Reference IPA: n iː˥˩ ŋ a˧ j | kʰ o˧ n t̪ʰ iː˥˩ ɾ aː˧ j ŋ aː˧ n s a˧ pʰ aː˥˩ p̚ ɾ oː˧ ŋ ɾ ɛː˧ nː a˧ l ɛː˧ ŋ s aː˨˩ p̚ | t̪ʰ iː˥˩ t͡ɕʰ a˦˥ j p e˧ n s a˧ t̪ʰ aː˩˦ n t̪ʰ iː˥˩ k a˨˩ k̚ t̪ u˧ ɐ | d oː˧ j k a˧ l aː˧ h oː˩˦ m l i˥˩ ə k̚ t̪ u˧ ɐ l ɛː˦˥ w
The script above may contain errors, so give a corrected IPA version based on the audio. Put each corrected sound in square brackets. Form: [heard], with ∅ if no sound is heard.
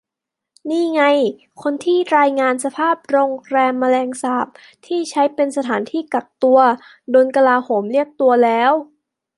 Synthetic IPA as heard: n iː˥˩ ŋ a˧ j | kʰ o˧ n t̪ʰ iː˥˩ ɾ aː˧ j ŋ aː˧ n s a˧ pʰ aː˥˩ p̚ ɾ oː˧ ŋ ɾ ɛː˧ [mː] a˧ l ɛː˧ ŋ s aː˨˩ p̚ | t̪ʰ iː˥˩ t͡ɕʰ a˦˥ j p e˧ n s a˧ t̪ʰ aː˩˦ n t̪ʰ iː˥˩ k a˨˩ k̚ t̪ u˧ ɐ | d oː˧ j k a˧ l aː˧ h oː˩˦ m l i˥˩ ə k̚ t̪ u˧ ɐ l ɛː˦˥ w